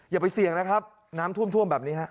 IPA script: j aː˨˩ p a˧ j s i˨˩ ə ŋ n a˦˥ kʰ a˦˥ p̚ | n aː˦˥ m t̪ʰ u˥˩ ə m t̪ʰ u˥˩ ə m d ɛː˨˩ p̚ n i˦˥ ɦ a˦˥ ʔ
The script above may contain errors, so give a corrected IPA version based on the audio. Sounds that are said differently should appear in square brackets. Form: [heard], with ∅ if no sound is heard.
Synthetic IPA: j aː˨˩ p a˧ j s i˨˩ ə ŋ n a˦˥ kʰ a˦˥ p̚ | n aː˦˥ m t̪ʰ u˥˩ ə m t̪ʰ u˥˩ ə m [b] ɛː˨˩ p̚ n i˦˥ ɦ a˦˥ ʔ